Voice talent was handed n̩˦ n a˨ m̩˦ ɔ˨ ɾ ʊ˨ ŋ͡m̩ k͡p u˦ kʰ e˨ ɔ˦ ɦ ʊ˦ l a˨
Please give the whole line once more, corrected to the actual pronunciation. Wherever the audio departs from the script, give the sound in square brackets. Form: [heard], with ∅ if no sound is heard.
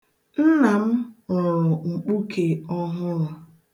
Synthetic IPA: n̩˦ n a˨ m̩˦ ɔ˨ ɾ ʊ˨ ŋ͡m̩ k͡p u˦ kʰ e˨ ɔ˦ ɦ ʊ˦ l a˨

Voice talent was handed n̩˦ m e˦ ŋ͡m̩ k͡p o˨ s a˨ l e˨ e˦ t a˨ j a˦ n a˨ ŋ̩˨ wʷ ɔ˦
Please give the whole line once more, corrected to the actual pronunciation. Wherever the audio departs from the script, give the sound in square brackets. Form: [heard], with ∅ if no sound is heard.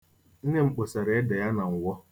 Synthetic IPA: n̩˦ [n] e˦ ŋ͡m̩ k͡p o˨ s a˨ [ɾ] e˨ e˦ [d] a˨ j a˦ n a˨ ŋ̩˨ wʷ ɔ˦

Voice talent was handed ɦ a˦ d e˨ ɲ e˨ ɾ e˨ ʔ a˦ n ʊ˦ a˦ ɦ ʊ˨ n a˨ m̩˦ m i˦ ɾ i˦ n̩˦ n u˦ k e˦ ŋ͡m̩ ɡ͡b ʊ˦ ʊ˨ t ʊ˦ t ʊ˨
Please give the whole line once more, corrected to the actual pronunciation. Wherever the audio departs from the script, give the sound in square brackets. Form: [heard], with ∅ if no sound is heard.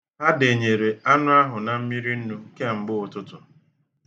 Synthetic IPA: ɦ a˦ d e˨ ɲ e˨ ɾ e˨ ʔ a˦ n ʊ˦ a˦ ɦ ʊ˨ n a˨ m̩˦ m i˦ ɾ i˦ n̩˦ n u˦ k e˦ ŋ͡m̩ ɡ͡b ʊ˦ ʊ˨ t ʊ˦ t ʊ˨

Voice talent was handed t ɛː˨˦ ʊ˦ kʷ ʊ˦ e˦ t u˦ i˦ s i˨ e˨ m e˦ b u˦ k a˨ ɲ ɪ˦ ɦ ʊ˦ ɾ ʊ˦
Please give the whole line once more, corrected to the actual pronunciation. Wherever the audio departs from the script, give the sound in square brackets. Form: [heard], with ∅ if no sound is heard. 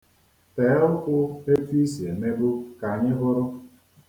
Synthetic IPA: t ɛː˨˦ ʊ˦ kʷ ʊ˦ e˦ t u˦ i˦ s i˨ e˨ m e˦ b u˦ k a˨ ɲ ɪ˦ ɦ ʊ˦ ɾ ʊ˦

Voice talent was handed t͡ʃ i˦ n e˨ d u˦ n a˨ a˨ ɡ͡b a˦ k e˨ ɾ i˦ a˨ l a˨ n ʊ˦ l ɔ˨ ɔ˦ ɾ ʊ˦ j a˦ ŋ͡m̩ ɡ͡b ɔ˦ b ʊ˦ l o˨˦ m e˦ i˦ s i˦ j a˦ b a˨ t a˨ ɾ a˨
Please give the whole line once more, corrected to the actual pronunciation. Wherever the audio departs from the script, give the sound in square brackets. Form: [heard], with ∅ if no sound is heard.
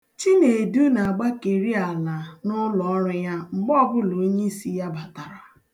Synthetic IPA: t͡ʃ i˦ n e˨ d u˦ n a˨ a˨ ɡ͡b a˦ k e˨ ɾ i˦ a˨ l a˨ n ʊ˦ l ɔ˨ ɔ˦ ɾ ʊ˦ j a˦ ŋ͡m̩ ɡ͡b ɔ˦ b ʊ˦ l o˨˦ [ɲ] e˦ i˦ s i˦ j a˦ b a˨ t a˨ ɾ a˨

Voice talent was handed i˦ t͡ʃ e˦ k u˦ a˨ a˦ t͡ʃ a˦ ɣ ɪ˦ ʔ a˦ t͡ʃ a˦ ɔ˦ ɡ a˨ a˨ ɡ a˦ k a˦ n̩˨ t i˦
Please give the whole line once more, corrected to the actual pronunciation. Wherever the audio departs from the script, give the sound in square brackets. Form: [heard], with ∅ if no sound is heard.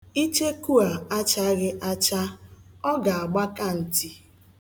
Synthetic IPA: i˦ t͡ʃ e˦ k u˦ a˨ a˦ t͡ʃ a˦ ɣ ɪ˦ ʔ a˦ t͡ʃ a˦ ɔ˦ ɡ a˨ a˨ [ɡ͡b] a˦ k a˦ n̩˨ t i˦

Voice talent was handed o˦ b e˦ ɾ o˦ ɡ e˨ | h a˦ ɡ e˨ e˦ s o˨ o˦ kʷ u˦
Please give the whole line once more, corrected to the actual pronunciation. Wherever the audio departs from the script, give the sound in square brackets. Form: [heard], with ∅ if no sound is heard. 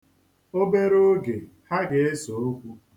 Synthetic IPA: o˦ b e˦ ɾ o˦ ɡ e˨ | h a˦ ɡ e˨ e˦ s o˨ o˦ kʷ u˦

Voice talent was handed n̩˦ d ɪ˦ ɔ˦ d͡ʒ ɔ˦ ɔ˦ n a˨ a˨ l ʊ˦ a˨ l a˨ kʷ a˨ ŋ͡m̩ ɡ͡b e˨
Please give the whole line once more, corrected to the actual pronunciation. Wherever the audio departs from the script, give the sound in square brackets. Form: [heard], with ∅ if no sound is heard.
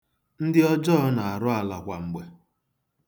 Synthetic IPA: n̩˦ d ɪ˦ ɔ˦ d͡ʒ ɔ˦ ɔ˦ n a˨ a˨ [ɾ] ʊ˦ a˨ l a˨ kʷ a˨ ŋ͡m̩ ɡ͡b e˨

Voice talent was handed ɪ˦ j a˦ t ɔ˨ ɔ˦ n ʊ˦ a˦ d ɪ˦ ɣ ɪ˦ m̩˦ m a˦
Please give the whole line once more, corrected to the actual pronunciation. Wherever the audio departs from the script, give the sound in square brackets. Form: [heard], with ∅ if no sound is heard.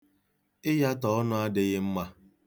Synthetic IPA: ɪ˦ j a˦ t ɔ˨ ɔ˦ n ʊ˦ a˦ d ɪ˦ ɣ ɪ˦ m̩˦ m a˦

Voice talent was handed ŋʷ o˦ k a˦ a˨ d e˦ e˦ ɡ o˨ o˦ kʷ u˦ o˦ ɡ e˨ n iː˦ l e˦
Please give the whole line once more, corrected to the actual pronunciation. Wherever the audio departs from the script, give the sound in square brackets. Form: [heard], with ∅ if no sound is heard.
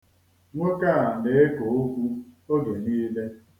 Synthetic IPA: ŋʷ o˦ k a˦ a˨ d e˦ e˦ [k] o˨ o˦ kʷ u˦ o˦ ɡ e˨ n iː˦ l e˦

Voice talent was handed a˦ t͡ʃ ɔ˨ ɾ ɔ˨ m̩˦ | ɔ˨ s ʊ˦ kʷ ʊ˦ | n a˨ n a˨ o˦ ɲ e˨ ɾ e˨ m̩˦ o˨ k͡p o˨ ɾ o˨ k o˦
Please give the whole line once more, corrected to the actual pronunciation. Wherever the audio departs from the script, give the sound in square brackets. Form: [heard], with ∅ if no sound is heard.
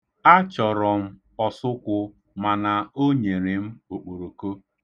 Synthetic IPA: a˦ t͡ʃ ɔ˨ ɾ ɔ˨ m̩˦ | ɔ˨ s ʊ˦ kʷ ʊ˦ | [m] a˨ n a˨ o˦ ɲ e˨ ɾ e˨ m̩˦ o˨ k͡p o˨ ɾ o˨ k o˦

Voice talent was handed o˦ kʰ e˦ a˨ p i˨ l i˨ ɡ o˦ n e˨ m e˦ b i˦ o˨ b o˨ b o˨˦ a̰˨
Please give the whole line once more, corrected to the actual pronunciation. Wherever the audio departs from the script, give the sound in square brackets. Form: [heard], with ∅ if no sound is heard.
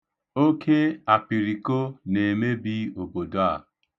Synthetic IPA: o˦ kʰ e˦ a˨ p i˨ [ɾ] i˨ [k] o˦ n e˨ m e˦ b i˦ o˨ b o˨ [d] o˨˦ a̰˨

